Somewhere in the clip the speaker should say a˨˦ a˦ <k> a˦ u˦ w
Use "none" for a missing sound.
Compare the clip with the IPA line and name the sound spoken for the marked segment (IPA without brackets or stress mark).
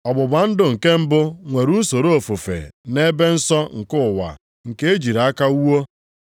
k